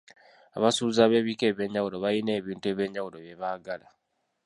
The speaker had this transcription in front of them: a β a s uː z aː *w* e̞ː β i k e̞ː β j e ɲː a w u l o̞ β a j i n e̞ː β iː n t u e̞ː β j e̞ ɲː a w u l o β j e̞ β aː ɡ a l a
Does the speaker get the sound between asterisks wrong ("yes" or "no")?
yes